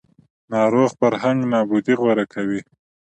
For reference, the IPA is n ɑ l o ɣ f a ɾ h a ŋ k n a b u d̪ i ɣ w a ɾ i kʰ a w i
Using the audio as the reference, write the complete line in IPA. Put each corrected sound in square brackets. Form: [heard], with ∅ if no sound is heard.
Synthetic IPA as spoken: n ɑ [ɾ] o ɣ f a ɾ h a ŋ [ɡ] n [ɑ] b u d̪ i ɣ w a ɾ [a] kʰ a w i